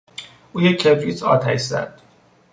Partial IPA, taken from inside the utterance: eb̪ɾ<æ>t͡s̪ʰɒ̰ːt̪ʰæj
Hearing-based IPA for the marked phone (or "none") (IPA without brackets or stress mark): i